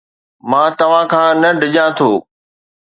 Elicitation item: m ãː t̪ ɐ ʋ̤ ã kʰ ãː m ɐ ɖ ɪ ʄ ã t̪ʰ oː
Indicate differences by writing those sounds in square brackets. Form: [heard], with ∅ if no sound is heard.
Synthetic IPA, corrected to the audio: m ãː t̪ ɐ ʋ̤ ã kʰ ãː [n] ɐ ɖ ɪ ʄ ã t̪ʰ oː